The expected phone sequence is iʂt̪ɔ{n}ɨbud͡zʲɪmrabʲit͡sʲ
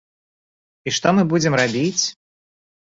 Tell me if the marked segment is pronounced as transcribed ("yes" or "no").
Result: no